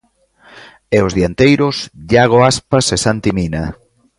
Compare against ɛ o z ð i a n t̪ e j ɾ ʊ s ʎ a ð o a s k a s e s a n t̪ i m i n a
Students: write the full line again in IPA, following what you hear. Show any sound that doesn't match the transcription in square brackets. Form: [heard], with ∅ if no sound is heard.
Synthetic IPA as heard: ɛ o z ð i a n t̪ e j ɾ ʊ s ʎ a [ɣ] o a s [p] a s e s a n t̪ i m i n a